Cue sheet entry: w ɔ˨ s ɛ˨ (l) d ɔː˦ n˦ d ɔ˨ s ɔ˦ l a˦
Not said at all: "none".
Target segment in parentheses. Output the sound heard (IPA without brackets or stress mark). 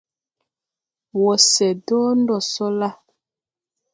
none